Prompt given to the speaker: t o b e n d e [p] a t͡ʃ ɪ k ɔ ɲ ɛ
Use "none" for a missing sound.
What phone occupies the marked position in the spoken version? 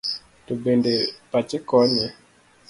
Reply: p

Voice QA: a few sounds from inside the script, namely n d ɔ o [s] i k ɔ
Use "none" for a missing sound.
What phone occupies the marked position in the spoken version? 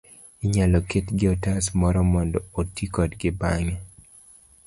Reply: t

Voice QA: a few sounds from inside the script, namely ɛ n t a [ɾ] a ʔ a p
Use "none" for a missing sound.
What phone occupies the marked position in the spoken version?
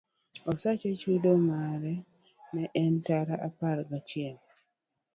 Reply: ɾ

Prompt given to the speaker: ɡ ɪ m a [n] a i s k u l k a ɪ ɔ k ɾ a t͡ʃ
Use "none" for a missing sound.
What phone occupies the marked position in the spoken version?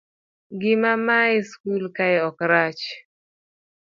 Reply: m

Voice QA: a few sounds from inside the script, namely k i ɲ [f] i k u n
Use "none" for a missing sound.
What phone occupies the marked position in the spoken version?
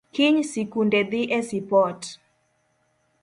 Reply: s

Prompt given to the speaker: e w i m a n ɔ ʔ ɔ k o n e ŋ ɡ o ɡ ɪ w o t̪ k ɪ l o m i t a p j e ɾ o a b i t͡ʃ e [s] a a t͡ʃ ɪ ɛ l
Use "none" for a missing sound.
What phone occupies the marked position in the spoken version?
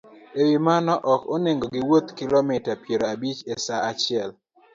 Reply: s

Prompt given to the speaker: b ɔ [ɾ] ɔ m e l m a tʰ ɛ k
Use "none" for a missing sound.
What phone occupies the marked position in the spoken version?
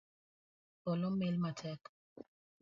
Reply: l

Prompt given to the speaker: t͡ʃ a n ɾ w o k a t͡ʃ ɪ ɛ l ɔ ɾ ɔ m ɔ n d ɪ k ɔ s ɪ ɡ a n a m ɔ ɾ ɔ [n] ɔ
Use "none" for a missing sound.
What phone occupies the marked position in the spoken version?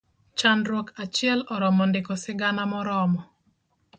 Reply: m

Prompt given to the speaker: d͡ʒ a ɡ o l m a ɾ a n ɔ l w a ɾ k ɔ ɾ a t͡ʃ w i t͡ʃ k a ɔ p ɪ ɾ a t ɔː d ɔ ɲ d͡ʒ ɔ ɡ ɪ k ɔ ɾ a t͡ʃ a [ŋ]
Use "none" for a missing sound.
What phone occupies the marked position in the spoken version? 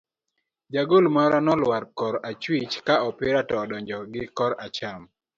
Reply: m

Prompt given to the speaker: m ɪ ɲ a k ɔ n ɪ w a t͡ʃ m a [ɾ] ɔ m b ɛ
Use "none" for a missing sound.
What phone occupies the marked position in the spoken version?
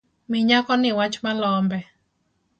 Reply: l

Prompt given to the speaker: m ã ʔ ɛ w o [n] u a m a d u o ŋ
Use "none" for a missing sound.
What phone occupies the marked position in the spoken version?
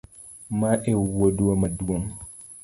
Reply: d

